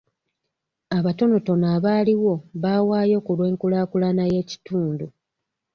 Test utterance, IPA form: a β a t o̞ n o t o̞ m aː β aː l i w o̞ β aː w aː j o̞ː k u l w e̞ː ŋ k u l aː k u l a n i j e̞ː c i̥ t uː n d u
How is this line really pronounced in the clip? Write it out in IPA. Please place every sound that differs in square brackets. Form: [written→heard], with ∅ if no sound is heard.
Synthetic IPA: a β a t o̞ n o t o̞ [m→n] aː β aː l i w o̞ β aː w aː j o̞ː k u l w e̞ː ŋ k u l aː k u l a n [i→a] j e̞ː c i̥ t uː n d u